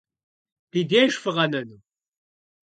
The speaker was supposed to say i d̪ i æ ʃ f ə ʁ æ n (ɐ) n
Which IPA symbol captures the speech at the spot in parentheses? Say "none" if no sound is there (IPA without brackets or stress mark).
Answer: ə